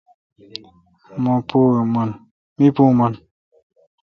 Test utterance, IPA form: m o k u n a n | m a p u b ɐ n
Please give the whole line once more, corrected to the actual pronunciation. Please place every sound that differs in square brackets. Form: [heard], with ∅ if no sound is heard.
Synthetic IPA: m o [p] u [m] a n | m [i] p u [m] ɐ n